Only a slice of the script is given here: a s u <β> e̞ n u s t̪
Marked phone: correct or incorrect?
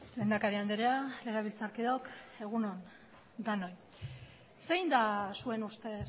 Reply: incorrect